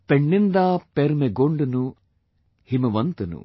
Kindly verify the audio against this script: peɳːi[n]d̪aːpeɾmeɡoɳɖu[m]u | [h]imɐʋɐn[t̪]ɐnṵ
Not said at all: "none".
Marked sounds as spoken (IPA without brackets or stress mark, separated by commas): n, n, h, t̪